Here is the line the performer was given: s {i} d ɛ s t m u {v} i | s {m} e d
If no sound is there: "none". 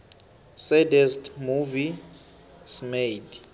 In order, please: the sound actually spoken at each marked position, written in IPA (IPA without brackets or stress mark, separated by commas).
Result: ɛ, v, m